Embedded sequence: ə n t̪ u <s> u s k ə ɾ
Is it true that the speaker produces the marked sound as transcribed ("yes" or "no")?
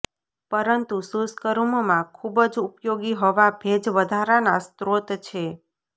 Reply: yes